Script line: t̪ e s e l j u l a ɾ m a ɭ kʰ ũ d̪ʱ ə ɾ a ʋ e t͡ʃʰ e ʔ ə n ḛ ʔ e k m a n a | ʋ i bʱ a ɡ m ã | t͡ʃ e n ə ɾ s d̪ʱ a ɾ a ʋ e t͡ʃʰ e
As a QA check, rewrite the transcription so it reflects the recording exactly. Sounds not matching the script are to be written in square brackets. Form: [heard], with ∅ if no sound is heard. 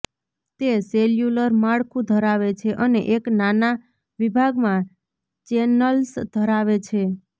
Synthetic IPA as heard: t̪ e s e l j u l [ə] ɾ m a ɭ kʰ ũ d̪ʱ ə ɾ a ʋ e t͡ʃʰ e ʔ ə n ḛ ʔ e k [n] a n a | ʋ i bʱ a ɡ m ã | t͡ʃ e n ə [l] s d̪ʱ [ə] ɾ a ʋ e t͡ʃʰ e